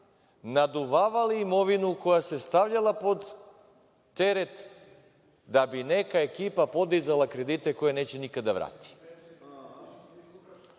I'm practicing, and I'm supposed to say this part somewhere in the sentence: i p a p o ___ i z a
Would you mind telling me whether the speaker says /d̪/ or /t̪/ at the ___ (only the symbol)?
d̪